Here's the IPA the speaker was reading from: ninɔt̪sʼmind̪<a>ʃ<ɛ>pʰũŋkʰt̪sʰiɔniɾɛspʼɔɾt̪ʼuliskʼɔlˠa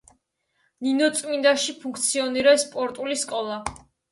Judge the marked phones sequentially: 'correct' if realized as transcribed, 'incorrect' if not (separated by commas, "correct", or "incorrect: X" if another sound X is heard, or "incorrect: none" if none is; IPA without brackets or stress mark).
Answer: correct, incorrect: i